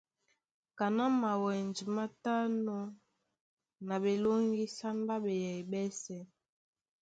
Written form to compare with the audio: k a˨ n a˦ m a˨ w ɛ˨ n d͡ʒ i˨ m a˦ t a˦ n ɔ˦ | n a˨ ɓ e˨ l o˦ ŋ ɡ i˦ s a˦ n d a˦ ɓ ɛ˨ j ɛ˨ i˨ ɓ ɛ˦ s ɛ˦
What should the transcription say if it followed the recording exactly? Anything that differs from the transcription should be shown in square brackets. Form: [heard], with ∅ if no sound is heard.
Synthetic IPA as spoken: k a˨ n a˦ m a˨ w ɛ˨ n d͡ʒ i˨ m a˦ t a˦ n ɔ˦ | n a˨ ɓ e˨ l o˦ ŋ ɡ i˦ s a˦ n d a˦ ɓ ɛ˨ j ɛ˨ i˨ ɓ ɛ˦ s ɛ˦